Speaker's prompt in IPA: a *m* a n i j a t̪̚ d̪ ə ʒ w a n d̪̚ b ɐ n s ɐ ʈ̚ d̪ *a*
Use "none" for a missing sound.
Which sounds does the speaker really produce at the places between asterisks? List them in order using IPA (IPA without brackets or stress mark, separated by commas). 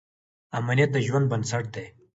m, e